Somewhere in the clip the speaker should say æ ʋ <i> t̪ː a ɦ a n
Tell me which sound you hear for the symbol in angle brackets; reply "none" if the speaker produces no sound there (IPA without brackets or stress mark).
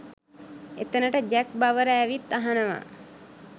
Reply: i